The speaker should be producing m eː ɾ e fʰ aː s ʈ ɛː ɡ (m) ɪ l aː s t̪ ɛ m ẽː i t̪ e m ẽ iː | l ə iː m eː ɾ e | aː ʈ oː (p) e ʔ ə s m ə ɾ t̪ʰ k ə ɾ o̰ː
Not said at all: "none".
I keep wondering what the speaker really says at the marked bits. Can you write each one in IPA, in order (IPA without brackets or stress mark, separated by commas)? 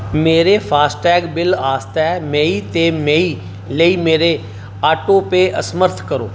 b, p